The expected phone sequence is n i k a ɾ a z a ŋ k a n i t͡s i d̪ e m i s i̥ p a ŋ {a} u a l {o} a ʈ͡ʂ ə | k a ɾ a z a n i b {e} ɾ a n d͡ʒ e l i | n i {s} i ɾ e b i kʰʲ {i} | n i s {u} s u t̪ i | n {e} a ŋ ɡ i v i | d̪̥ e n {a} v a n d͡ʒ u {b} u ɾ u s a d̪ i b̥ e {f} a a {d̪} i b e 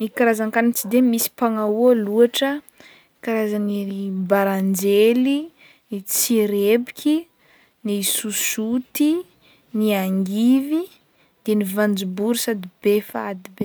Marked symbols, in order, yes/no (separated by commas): yes, no, no, no, yes, yes, no, no, yes, yes, yes